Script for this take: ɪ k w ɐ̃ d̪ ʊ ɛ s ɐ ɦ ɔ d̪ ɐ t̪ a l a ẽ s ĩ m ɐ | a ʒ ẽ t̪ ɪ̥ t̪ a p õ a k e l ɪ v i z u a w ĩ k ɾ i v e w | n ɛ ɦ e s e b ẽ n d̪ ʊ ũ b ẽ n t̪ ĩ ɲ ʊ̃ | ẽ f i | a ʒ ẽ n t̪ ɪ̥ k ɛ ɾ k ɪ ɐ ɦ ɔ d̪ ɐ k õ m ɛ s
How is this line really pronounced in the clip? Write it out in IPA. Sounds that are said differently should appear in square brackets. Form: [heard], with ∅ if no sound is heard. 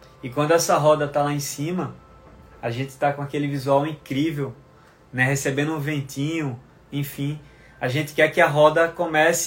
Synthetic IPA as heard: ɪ k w ɐ̃ d̪ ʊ ɛ s ɐ ɦ ɔ d̪ ɐ t̪ a l a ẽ s ĩ m ɐ | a ʒ ẽ t̪ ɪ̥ t̪ a [k] õ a k e l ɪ v i z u a w ĩ k ɾ i v e w | n ɛ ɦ e s e b ẽ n d̪ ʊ ũ [v] ẽ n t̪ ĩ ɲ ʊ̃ | ẽ f [ĩ] | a ʒ ẽ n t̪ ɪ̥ k ɛ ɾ k ɪ ɐ ɦ ɔ d̪ ɐ k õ m ɛ s